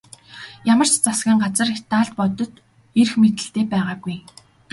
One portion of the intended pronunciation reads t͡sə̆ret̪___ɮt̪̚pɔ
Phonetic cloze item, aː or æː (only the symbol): aː